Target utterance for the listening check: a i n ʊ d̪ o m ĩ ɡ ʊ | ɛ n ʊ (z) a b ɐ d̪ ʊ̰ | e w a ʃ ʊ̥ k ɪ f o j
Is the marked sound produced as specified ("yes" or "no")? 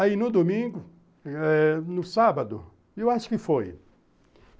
no